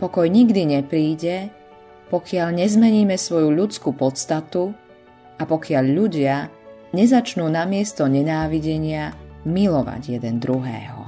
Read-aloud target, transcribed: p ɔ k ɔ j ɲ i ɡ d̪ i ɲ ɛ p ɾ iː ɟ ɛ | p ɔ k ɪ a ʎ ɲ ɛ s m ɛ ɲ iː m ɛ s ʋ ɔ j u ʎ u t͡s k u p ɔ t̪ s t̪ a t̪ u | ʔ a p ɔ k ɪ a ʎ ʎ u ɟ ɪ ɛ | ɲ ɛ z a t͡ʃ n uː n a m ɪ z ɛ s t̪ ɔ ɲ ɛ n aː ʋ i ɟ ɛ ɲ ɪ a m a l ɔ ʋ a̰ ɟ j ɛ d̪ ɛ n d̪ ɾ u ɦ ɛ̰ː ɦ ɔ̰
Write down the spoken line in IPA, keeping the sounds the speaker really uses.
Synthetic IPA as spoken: p ɔ k ɔ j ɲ i ɡ d̪ i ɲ ɛ p ɾ iː ɟ ɛ | p ɔ k ɪ a ʎ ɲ ɛ z m ɛ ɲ iː m ɛ s ʋ ɔ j u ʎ u t͡s k u p ɔ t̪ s t̪ a t̪ u | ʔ a p ɔ k ɪ a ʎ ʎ u ɟ ɪ a | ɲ ɛ z a t͡ʃ n uː n a m ɪ ɛ s t̪ ɔ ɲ ɛ n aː ʋ i ɟ ɛ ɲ ɪ a m i l ɔ ʋ a̰ ɟ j ɛ d̪ ɛ n d̪ ɾ u ɦ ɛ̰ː ɦ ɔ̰